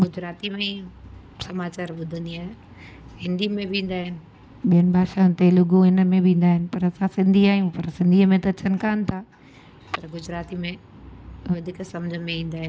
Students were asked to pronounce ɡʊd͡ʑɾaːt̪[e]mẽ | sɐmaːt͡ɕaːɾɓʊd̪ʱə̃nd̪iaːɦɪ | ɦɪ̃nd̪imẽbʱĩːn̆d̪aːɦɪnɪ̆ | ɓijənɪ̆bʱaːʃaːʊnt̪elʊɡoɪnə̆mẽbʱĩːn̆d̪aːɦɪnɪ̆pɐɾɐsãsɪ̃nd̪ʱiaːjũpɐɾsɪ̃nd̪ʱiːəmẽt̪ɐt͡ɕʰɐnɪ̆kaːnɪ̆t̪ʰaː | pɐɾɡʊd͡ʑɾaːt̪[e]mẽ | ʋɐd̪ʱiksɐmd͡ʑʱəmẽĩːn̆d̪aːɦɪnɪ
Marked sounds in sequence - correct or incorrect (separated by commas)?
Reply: incorrect, incorrect